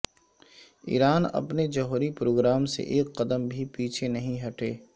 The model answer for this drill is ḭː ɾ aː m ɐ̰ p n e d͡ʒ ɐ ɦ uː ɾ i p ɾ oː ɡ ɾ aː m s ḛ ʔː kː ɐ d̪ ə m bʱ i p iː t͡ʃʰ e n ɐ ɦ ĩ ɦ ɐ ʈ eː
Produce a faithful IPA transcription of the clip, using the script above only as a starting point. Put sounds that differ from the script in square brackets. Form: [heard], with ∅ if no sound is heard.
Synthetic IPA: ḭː ɾ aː [n] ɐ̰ p n e d͡ʒ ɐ ɦ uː ɾ i p ɾ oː ɡ ɾ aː m s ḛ ʔː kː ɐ d̪ ə m bʱ i p iː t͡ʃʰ e n ɐ ɦ ĩ ɦ ɐ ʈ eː